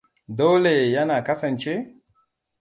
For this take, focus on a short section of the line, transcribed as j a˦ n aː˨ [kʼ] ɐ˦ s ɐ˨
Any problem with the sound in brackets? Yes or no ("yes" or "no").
yes